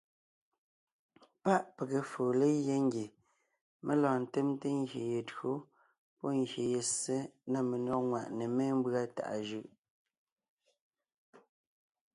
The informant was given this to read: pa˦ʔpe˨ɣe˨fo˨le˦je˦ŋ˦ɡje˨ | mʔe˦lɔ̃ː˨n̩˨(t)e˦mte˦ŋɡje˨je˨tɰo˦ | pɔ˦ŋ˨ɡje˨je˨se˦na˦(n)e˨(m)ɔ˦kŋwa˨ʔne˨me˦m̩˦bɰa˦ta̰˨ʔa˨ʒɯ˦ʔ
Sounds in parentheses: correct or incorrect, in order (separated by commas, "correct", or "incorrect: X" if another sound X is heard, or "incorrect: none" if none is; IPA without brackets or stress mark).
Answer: correct, incorrect: m, incorrect: n